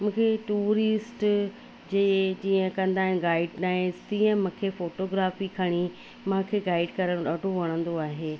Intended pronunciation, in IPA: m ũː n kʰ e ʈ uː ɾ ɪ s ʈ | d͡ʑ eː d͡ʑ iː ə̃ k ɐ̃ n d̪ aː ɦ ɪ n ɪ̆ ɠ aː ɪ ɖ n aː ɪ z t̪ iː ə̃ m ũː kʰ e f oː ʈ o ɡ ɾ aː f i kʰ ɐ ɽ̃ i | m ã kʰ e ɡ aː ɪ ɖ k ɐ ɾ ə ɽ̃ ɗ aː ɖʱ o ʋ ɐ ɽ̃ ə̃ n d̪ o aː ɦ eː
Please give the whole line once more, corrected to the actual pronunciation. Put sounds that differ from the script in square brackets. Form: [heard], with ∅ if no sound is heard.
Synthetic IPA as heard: m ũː [∅] kʰ e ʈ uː ɾ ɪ s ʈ | d͡ʑ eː d͡ʑ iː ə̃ k ɐ̃ n d̪ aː ɦ ɪ n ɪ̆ [ɡ] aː ɪ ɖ n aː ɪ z t̪ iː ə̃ m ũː kʰ e f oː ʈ o ɡ ɾ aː f i kʰ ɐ ɽ̃ i | m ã kʰ e ɡ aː ɪ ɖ k ɐ ɾ ə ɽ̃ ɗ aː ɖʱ o ʋ ɐ ɽ̃ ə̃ n d̪ o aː ɦ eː